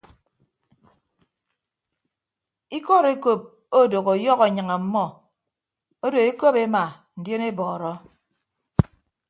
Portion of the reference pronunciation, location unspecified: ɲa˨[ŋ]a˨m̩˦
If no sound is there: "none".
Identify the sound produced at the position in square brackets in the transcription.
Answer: ŋ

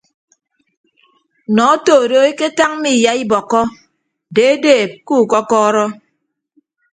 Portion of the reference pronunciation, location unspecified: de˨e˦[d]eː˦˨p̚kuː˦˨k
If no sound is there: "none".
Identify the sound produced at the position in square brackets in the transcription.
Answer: d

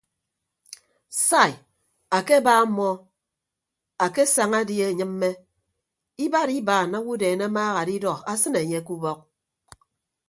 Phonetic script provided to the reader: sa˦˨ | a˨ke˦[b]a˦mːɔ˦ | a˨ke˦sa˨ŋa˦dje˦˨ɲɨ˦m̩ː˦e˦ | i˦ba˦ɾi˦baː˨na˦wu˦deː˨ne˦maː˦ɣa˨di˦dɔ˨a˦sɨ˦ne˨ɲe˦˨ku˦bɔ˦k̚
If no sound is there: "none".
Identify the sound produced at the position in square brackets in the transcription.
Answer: b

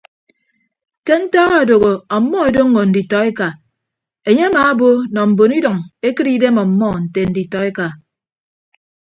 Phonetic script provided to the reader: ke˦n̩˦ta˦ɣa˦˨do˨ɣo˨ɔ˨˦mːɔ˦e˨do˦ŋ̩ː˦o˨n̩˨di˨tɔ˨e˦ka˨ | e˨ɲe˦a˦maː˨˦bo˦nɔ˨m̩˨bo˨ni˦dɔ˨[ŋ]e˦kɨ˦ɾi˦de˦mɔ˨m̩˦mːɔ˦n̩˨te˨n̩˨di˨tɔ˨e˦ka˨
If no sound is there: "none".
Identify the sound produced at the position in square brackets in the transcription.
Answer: ŋ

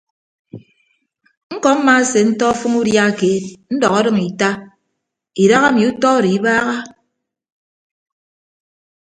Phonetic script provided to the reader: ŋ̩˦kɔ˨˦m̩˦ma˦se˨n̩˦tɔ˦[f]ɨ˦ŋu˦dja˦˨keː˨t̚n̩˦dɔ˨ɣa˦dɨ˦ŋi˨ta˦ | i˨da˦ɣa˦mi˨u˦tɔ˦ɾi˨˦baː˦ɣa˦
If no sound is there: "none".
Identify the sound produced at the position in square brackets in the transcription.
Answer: f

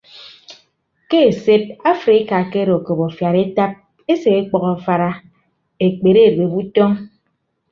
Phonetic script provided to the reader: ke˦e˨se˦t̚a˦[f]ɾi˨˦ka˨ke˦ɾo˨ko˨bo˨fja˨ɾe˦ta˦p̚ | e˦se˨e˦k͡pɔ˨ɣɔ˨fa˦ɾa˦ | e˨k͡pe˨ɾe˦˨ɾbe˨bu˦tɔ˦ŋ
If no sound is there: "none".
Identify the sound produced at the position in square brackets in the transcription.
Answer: f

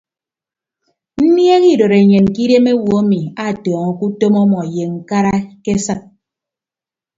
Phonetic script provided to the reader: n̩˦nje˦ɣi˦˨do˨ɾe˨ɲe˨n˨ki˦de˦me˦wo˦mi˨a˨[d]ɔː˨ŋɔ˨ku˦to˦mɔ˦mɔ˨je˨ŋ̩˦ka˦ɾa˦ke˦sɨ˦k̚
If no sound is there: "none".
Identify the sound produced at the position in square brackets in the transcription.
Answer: t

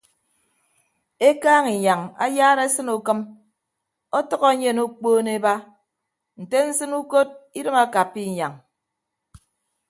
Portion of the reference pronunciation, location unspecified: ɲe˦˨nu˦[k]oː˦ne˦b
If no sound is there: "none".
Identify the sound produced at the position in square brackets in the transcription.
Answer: k͡p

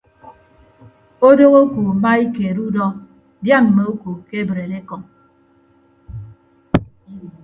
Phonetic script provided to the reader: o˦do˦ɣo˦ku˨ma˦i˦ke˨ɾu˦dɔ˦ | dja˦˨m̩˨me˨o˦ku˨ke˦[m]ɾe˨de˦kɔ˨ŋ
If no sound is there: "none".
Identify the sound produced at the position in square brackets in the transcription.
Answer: b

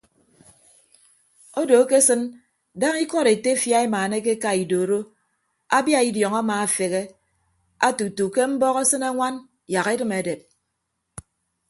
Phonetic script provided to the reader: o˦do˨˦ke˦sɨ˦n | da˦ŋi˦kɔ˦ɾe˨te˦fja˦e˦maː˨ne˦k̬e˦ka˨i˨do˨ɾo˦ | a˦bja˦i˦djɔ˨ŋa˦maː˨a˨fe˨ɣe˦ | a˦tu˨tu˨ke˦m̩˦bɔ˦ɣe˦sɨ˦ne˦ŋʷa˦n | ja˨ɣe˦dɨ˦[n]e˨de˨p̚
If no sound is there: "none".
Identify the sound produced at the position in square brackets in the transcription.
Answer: m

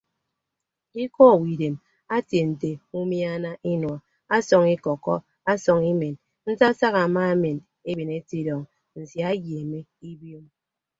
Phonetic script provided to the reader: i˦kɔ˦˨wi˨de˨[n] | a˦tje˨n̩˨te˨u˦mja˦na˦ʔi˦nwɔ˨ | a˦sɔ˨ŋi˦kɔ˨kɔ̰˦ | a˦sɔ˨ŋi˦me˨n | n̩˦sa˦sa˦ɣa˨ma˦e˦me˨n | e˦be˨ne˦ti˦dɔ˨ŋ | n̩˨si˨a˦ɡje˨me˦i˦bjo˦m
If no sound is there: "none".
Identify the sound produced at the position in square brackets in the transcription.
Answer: m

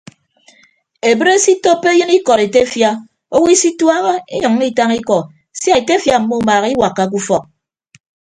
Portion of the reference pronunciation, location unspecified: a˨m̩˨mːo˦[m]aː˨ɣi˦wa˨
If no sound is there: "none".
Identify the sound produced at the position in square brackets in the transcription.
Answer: m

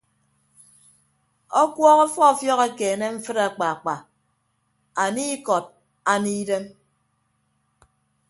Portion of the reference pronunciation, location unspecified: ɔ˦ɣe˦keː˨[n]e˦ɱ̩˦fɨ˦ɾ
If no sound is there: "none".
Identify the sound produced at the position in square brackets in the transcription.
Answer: n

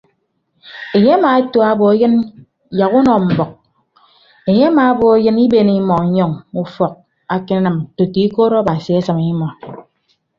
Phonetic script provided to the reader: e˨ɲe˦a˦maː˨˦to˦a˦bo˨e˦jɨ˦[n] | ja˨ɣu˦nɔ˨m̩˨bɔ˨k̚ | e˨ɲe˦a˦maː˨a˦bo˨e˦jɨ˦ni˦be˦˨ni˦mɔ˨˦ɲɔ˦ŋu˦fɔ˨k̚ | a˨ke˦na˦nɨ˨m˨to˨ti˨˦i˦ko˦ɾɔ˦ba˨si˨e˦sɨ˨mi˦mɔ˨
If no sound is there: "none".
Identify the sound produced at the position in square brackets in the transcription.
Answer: n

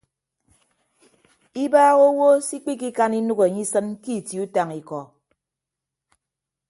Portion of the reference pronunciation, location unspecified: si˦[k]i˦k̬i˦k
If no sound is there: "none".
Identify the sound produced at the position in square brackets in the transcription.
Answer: k͡p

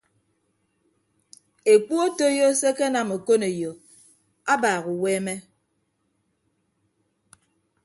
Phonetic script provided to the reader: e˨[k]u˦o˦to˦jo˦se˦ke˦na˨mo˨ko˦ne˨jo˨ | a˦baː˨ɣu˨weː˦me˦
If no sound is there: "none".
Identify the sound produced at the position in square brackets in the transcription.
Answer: k͡p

